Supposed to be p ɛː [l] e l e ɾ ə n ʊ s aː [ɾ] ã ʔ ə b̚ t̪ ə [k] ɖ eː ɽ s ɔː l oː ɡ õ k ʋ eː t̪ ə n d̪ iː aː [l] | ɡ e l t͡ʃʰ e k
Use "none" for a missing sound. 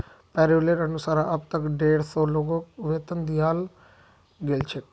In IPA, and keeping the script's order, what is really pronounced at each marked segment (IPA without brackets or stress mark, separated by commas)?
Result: ɾ, ɾ, k, l